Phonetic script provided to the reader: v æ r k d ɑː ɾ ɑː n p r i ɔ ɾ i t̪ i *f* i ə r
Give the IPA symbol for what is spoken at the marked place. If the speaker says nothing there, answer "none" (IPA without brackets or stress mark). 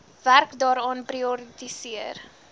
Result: s